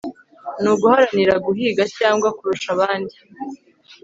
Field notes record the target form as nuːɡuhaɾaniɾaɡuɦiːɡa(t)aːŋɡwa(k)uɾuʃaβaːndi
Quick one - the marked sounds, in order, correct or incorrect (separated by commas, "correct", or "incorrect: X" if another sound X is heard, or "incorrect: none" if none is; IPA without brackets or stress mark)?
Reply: incorrect: c, correct